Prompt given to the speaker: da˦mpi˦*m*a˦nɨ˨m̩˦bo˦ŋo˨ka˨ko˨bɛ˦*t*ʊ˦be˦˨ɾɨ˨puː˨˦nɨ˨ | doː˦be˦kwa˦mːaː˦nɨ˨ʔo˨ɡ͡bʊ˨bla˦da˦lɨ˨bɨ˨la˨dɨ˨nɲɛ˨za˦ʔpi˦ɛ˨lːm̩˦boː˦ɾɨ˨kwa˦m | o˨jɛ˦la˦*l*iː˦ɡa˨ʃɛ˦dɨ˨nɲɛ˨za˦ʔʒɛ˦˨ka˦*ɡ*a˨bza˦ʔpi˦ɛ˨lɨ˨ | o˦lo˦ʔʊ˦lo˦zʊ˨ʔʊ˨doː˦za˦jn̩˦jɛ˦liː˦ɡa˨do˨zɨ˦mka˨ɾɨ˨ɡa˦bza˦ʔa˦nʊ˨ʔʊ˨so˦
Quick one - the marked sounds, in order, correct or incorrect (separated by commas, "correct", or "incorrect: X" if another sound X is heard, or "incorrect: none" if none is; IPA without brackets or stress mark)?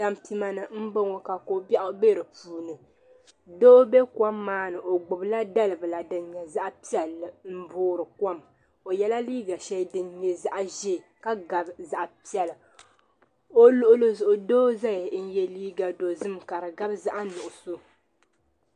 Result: correct, incorrect: ʔ, correct, correct